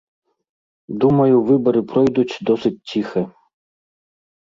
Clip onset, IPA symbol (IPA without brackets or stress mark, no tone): d̪